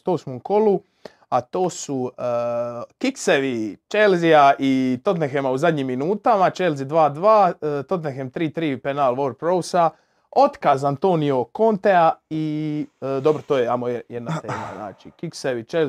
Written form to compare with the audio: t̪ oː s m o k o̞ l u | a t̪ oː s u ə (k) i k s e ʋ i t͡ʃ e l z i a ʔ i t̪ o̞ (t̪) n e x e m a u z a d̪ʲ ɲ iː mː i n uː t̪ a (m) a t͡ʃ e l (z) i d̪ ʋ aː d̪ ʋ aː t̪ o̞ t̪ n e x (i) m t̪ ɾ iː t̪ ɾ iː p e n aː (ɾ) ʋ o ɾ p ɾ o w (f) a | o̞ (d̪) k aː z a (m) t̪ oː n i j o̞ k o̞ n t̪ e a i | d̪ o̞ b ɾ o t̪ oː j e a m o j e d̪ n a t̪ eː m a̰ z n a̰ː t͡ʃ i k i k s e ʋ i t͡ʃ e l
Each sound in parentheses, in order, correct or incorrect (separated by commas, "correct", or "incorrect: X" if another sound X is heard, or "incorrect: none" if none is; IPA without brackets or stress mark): correct, correct, correct, correct, incorrect: e, incorrect: l, incorrect: s, incorrect: t̪, incorrect: n